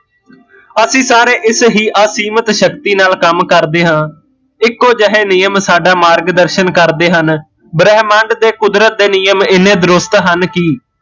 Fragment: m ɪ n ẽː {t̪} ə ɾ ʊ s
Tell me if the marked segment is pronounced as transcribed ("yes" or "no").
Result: no